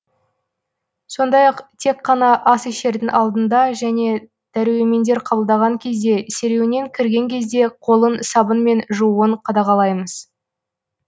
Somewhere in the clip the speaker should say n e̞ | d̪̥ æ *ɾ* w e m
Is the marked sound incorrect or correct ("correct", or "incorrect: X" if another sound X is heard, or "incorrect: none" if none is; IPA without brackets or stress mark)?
correct